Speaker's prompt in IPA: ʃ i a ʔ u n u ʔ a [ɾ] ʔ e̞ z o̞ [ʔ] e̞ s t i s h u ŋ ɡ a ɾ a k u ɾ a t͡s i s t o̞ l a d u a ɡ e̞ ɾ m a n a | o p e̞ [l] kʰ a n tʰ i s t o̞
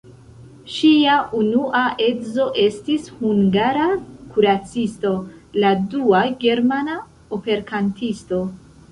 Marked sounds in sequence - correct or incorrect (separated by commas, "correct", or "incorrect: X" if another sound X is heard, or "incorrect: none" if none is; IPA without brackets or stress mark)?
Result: incorrect: none, correct, incorrect: ɾ